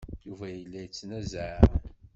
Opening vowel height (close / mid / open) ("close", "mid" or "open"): close